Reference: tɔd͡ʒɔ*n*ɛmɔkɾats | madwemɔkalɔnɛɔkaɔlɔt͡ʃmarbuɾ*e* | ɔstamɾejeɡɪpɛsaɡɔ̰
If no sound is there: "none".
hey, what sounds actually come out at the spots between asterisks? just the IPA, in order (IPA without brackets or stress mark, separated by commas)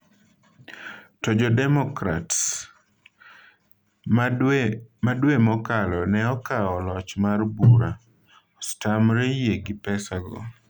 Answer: d, a